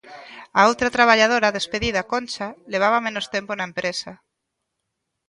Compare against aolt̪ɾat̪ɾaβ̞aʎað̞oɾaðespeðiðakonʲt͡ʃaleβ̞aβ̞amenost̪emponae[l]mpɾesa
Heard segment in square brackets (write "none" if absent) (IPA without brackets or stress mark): none